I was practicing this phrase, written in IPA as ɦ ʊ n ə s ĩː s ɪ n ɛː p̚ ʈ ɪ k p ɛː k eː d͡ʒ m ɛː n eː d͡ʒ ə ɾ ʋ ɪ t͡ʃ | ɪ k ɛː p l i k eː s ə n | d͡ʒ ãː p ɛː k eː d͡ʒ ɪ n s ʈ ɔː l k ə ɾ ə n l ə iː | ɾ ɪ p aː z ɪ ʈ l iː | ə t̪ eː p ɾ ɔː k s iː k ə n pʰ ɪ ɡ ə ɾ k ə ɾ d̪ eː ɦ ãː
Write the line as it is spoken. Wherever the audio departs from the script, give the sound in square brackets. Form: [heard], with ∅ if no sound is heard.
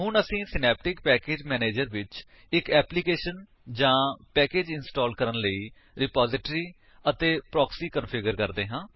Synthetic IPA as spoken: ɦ ʊ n ə s ĩː s ɪ n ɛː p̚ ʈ ɪ k p ɛː k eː d͡ʒ m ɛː n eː d͡ʒ ə ɾ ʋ ɪ t͡ʃ | ɪ k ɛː p l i k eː [ʃ] ə n | d͡ʒ ãː p ɛː k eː d͡ʒ ɪ n s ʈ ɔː l k ə ɾ ə n l ə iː | ɾ ɪ p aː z ɪ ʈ [ɾ] iː | ə t̪ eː p ɾ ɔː k s iː k ə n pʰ ɪ ɡ ə ɾ k ə ɾ d̪ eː ɦ ãː